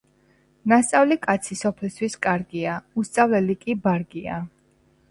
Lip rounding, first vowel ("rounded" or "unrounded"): unrounded